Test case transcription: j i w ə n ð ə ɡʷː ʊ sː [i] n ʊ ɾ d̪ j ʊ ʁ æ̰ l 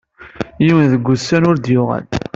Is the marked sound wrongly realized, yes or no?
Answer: yes